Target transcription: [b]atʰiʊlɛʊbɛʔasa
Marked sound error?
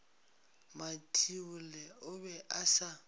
yes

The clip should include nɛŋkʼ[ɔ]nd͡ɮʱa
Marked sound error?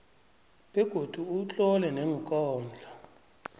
yes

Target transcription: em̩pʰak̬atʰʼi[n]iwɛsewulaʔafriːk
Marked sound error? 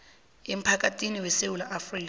no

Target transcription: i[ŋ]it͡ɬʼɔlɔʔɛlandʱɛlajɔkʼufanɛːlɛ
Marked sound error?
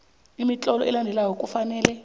yes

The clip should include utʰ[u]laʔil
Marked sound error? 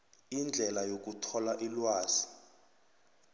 yes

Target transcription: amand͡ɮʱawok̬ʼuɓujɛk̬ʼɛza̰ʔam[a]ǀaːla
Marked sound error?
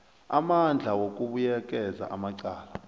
no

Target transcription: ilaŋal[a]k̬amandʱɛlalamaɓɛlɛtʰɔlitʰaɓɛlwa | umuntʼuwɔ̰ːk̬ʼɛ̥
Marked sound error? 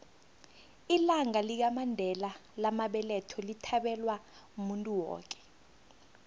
yes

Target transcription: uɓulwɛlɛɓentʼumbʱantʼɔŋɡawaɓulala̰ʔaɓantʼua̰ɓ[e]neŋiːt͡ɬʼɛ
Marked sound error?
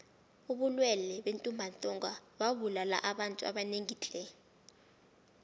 yes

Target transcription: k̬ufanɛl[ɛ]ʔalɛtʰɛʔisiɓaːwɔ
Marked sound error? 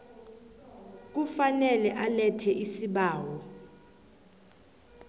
no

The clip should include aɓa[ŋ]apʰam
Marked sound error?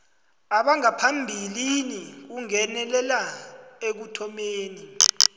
no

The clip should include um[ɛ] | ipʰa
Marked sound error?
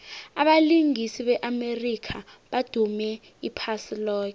no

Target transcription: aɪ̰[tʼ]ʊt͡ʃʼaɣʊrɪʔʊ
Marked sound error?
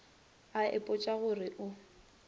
yes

